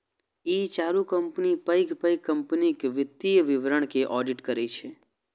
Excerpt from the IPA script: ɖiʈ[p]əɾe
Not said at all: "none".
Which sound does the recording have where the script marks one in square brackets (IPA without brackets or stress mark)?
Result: k